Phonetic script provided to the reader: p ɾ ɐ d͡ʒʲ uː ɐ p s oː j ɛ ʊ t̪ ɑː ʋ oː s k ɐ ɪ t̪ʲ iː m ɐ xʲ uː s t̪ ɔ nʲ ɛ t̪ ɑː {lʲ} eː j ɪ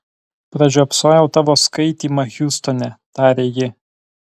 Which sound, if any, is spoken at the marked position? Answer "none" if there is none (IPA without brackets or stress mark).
ɾʲ